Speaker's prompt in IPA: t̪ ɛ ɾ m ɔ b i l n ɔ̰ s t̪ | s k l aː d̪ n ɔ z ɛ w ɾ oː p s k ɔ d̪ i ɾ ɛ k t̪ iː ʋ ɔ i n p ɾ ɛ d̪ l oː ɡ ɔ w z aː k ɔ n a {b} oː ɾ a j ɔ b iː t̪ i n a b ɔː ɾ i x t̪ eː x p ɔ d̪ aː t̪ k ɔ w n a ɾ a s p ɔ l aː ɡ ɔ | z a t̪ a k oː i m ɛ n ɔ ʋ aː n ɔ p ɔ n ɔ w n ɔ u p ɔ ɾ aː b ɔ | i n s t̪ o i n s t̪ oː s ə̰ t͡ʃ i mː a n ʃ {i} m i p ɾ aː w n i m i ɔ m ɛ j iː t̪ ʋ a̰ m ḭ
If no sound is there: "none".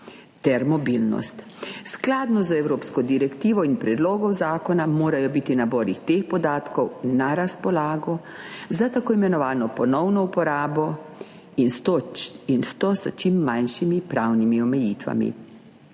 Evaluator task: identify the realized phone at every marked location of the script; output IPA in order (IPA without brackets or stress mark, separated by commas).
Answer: m, i